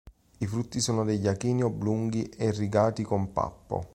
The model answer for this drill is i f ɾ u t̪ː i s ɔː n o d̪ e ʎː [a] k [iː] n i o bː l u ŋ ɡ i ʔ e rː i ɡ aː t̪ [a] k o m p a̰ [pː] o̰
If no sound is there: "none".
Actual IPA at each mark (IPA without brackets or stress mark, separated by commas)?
a, iː, i, pː